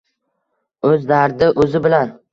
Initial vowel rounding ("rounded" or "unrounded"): rounded